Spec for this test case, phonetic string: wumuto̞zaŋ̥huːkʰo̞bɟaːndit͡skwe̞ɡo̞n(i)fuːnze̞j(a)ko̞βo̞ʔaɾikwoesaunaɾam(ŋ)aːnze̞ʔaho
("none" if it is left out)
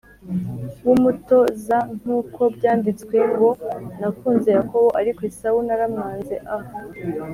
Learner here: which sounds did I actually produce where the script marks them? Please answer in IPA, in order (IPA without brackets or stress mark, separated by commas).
a, a, ŋ